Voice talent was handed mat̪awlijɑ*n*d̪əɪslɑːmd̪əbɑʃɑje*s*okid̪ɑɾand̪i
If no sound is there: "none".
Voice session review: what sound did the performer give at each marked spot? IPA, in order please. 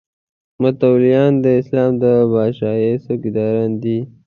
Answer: n, s

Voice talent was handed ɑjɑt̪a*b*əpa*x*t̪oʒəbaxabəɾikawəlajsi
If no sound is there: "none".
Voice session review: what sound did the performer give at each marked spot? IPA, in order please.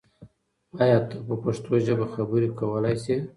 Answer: p, ʂ

